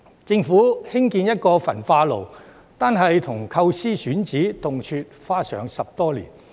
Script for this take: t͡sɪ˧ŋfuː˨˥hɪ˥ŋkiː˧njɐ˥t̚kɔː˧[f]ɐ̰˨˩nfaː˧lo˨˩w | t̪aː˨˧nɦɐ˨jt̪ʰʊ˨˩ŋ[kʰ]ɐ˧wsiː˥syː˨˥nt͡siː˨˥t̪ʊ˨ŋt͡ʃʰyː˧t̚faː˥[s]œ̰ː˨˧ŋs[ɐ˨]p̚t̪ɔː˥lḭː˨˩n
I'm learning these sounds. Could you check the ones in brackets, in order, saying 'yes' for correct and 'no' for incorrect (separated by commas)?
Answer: yes, yes, yes, yes